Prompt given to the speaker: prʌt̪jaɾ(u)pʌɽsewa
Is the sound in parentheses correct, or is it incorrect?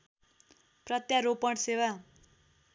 incorrect